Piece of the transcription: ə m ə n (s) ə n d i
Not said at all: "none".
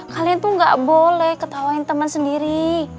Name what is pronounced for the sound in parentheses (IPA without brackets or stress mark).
s